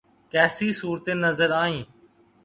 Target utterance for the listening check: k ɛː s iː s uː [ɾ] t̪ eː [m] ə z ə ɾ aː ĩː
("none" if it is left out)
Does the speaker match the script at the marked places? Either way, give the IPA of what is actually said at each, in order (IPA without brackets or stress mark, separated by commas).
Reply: ɾ, n